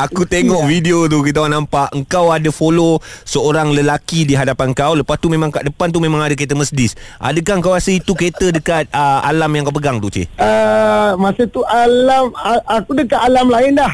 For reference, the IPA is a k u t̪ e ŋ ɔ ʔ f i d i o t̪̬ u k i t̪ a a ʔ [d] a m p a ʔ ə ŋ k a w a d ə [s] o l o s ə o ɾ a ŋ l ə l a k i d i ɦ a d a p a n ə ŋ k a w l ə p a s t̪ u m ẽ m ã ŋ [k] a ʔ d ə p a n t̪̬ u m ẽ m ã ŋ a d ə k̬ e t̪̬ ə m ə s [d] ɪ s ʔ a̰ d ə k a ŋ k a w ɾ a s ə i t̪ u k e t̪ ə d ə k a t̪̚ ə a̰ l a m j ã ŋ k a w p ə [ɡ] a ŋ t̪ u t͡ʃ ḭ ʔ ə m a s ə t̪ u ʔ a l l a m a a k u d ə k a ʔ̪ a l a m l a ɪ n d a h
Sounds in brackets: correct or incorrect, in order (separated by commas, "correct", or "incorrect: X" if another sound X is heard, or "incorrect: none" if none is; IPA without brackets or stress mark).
incorrect: n, incorrect: f, correct, correct, correct